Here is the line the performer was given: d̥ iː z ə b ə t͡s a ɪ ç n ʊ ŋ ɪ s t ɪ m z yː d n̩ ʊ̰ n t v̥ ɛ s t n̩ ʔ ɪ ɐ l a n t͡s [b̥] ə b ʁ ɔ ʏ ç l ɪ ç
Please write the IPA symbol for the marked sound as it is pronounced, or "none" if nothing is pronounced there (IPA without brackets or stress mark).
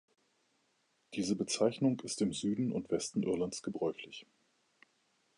ɡ̥